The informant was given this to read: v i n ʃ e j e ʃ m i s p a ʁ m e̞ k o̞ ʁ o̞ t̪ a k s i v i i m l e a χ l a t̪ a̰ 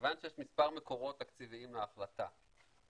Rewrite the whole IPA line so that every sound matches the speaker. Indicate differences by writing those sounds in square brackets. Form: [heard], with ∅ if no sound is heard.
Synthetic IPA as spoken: v [a] n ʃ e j e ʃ m i s p a ʁ m e̞ k o̞ ʁ o̞ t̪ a k [t͡s] i v i i m l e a χ l a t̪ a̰